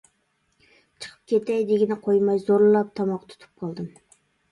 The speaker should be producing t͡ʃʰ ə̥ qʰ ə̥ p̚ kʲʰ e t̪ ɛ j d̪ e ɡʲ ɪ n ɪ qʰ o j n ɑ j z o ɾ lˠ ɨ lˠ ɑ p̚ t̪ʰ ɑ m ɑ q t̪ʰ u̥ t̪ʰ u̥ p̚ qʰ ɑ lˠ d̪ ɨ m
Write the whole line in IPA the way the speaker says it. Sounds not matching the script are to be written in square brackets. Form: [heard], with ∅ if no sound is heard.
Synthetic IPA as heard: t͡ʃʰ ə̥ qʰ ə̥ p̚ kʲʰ e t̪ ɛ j d̪ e ɡʲ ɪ n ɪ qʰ o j [m] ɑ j z o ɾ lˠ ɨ lˠ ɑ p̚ t̪ʰ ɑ m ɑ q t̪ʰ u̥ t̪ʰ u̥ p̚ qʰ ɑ lˠ d̪ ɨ m